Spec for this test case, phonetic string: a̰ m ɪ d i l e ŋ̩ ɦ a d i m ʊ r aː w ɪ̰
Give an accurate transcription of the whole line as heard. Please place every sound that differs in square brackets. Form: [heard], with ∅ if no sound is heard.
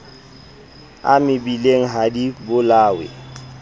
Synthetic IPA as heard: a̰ m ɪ [b] i l e ŋ̩ ɦ a d i [b] ʊ [l] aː w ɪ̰

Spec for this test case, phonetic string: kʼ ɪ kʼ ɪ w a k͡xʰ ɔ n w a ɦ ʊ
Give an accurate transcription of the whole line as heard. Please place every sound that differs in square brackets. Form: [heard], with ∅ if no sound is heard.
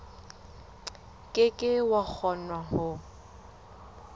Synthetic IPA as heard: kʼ ɪ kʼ ɪ w a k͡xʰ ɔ n w a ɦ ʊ

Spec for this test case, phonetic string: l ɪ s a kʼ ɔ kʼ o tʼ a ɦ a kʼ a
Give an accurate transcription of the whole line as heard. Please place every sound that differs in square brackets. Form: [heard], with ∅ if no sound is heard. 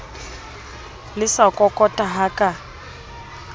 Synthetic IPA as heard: l ɪ s a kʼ ɔ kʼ [ɔ] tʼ a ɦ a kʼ a

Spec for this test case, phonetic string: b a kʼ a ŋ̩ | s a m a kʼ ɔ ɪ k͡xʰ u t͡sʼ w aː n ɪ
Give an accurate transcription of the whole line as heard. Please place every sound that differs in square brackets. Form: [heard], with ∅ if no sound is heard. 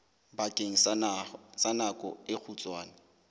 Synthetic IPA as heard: b a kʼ [e] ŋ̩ | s a [n] a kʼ ɔ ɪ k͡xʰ u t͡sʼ w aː n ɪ

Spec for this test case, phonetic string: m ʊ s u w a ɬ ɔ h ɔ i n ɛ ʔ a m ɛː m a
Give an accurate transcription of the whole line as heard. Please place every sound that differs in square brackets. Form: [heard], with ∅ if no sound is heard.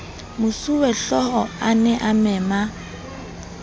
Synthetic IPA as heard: m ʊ s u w [ɛ] ɬ ɔ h ɔ [a] n ɛ ʔ a m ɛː m a

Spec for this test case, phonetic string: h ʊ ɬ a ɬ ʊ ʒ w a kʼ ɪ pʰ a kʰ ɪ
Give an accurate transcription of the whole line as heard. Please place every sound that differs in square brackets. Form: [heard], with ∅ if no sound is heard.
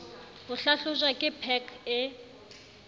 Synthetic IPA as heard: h ʊ ɬ a ɬ ʊ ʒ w a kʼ ɪ pʰ [ɛ] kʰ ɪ

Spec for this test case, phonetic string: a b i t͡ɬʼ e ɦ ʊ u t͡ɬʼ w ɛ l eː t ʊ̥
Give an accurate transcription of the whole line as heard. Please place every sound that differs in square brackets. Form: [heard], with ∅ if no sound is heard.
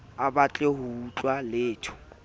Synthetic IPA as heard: a b [a] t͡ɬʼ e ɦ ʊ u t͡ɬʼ w [a] l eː [tʰ] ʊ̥

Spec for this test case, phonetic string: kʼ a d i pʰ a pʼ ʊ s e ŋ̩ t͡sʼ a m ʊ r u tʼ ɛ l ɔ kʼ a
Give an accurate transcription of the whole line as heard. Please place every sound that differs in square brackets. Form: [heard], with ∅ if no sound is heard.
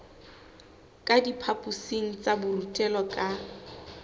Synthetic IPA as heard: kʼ a d i pʰ a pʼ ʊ s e ŋ̩ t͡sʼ a [b] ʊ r u tʼ ɛ l ɔ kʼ a

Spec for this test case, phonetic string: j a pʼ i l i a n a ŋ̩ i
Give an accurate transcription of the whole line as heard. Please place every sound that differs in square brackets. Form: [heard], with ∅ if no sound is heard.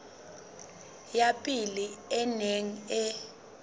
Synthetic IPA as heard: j a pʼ i l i [ɛ] n [e] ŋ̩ [ɛ]

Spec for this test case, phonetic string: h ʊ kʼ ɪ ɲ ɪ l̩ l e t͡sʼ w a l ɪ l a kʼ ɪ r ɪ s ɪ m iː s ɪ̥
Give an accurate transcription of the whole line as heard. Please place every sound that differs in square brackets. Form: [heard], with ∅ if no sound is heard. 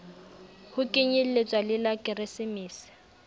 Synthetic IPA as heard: h ʊ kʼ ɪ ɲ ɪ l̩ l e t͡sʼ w a l ɪ l a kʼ ɪ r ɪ s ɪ m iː s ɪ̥

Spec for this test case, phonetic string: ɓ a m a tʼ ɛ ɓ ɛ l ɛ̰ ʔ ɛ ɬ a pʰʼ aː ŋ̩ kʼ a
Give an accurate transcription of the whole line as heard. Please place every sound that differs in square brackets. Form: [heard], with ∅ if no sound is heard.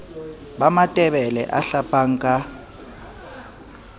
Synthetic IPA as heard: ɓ a m a tʼ ɛ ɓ ɛ l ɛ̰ ʔ [a] ɬ a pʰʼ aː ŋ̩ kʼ a

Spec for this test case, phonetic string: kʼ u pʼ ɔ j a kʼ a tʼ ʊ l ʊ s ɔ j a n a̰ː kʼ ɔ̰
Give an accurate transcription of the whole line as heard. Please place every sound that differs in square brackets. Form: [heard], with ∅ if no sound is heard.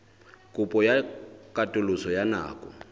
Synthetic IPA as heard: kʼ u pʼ ɔ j a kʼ a tʼ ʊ l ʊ s ɔ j a n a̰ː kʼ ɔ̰

